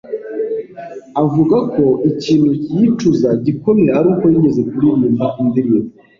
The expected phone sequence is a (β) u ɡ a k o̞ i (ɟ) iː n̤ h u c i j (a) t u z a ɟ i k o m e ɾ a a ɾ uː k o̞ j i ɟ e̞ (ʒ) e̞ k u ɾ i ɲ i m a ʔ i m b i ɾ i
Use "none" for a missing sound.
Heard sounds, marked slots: v, c, i, z

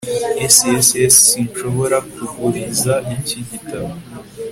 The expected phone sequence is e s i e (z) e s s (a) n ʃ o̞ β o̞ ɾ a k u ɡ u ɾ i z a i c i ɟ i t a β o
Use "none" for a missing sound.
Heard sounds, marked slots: s, i

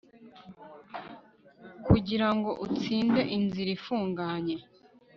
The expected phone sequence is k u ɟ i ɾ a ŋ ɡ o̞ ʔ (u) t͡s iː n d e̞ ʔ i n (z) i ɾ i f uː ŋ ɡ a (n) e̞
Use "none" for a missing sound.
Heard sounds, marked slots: u, z, ɲ

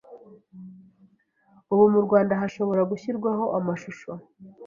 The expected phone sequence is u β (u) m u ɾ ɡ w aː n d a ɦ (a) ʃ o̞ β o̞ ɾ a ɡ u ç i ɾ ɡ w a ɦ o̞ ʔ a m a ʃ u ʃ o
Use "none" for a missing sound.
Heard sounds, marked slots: u, a

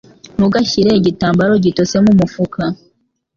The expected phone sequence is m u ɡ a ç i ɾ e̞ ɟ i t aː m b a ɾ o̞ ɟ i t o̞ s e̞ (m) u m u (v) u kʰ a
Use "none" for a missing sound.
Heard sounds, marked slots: m, f

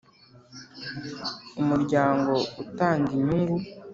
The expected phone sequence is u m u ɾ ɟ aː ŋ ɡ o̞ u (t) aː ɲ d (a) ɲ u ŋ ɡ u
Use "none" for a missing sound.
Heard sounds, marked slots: t, i

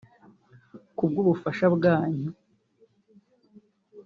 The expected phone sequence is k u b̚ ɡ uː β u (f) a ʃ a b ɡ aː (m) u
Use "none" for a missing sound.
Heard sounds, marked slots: f, ɲ

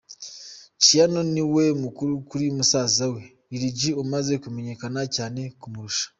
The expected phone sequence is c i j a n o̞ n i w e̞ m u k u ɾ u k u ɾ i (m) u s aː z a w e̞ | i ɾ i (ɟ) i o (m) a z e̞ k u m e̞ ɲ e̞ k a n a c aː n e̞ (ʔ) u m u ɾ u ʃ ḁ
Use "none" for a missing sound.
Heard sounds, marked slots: m, ɟ, m, k

